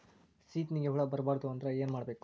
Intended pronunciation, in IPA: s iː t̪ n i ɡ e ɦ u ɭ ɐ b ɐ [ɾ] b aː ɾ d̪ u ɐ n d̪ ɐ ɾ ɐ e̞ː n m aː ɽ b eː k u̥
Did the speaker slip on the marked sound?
no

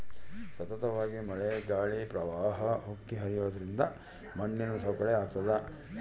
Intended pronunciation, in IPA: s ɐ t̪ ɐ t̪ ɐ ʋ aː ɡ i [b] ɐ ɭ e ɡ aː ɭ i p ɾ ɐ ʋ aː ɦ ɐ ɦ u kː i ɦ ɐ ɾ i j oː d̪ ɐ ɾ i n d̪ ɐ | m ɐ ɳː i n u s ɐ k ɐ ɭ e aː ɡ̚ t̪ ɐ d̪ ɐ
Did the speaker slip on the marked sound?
yes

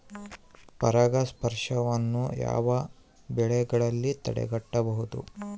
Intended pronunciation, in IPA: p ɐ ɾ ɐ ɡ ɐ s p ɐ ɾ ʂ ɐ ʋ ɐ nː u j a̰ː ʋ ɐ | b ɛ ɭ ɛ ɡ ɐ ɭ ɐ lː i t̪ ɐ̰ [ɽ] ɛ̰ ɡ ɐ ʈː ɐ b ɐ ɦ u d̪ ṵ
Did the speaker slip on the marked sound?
no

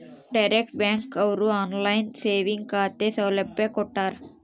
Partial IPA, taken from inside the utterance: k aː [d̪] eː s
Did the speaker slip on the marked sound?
yes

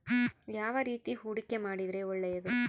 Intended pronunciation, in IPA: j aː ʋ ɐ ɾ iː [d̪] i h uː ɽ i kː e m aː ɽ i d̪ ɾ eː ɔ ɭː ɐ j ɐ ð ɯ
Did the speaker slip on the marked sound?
yes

